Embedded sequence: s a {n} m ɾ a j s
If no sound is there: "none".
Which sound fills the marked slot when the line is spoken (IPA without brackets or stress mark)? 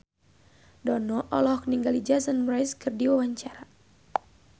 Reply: n